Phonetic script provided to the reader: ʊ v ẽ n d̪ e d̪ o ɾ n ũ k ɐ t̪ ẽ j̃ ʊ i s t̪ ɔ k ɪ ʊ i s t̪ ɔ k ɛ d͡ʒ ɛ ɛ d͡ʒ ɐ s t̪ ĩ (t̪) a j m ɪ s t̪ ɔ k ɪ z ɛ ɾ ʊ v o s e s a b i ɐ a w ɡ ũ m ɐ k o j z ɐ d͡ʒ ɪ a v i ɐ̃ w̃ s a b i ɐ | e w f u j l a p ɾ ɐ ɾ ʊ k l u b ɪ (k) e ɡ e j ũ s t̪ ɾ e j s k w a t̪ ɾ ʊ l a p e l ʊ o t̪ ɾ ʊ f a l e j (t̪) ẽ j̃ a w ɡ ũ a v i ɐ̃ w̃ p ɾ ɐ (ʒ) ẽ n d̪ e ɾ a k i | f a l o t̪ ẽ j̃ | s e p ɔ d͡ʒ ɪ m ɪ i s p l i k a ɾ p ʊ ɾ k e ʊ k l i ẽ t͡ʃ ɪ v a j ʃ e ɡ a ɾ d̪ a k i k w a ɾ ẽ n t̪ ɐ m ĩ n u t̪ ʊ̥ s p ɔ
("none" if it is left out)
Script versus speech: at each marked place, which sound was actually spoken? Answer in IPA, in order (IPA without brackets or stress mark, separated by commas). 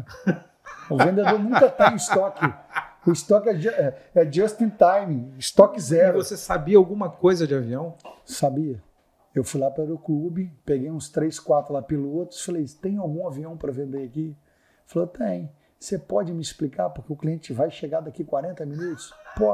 t̪, p, t̪, v